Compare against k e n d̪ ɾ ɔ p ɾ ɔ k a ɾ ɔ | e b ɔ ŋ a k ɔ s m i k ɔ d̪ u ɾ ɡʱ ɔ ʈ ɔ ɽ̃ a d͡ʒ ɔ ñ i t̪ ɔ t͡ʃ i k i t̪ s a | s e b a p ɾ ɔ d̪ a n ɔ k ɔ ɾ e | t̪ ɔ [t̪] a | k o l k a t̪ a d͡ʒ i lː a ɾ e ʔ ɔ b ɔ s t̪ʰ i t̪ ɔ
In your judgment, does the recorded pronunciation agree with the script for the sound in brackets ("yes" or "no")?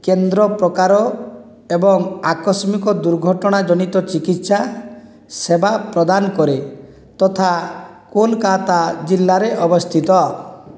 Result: no